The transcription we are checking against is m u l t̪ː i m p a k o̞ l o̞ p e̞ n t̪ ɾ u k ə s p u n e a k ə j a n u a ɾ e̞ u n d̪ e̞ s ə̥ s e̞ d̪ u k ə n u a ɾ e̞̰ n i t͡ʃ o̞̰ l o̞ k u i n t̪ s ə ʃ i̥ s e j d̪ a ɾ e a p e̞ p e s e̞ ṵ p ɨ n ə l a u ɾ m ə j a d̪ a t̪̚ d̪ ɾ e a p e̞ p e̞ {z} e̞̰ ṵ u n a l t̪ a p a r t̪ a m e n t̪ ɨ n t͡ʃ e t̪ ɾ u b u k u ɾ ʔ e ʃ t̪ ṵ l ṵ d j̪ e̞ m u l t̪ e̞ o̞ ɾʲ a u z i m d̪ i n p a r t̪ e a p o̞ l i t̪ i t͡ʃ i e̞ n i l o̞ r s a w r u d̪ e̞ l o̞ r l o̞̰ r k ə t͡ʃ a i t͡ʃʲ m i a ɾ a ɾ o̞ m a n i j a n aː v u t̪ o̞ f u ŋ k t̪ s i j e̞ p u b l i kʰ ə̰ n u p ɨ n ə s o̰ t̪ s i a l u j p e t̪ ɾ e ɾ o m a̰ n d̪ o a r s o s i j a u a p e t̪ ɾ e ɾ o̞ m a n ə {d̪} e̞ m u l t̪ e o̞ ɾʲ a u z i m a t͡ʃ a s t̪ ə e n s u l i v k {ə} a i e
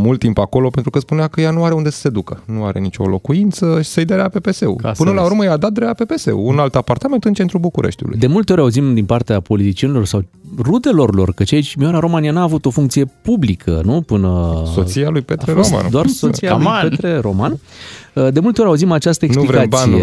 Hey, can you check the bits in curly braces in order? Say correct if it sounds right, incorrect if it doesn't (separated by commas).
incorrect, correct, incorrect